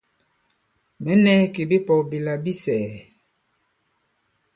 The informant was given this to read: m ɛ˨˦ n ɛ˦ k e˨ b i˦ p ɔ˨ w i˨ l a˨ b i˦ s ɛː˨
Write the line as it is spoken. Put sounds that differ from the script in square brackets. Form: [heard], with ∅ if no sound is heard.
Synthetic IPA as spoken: m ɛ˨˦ n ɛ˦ k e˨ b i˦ p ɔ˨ [b] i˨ l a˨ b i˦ s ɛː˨